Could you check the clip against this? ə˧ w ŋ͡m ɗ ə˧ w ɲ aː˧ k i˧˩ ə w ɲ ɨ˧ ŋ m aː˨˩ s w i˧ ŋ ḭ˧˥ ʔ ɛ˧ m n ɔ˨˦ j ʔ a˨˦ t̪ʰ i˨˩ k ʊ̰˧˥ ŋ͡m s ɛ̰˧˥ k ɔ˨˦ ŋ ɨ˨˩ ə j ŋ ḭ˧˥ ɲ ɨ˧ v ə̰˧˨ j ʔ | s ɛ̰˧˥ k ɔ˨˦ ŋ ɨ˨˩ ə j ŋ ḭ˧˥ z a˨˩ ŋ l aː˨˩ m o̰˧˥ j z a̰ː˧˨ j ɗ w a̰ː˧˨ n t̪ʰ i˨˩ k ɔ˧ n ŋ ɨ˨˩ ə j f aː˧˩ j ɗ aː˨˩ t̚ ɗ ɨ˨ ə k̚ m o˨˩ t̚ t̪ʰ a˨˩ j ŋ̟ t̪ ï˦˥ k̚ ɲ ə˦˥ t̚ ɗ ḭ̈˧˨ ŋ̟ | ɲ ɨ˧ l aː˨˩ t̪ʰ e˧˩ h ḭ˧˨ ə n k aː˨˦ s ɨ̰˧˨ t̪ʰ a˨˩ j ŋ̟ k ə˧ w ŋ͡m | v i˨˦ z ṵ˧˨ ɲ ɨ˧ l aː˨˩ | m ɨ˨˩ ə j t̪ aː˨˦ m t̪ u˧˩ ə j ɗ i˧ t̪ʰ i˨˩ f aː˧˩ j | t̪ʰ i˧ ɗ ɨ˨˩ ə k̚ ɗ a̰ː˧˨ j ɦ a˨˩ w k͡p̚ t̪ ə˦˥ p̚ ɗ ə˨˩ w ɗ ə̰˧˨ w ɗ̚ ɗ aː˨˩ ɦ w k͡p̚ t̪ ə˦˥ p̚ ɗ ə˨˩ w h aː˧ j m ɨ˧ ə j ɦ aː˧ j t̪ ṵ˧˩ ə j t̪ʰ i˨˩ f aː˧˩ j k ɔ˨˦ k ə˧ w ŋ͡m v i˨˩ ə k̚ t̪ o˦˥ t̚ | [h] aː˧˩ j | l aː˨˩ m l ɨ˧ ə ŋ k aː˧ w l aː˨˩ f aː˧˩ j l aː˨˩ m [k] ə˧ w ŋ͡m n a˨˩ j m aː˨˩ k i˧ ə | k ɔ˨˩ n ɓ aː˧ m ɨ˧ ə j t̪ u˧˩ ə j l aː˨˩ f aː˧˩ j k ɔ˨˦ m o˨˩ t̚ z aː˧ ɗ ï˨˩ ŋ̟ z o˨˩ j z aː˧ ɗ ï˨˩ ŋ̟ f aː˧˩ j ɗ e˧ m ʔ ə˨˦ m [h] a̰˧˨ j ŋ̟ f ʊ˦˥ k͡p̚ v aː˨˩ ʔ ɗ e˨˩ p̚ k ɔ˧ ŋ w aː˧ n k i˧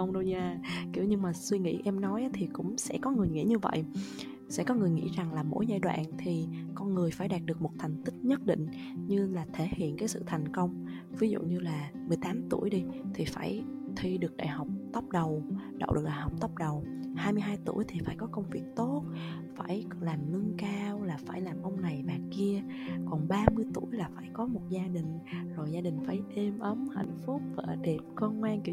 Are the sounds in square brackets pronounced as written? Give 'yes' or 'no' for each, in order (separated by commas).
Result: no, no, yes